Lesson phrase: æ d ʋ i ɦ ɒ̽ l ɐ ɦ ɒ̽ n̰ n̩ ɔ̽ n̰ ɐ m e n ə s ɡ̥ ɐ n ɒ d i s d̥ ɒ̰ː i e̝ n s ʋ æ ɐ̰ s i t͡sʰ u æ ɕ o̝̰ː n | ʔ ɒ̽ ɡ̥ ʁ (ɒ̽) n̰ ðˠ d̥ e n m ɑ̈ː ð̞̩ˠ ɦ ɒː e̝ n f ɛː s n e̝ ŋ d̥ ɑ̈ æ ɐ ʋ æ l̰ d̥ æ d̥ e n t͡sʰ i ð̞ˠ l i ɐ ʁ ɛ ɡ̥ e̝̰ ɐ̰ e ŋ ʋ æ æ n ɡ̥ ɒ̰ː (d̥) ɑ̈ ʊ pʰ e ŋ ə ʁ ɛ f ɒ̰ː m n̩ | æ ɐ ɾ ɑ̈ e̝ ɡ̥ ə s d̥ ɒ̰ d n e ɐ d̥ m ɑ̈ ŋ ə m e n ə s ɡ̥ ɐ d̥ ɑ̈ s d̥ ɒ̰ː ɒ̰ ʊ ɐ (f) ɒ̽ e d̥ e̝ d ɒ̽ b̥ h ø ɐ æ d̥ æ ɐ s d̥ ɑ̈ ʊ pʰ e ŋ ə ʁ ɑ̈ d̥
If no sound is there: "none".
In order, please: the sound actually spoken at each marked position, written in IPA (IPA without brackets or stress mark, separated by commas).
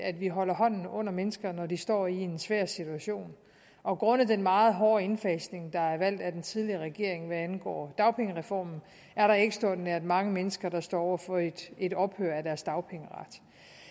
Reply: ɔ̽, d̥, f